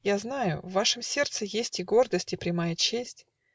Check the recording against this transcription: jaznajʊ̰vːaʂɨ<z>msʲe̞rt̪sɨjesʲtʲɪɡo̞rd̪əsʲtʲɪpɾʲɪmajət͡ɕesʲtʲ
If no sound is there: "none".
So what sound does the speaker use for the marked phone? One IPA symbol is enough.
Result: none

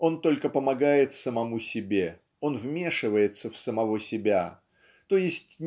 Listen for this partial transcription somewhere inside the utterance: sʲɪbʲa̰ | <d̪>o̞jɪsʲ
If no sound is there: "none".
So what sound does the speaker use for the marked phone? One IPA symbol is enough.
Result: t̪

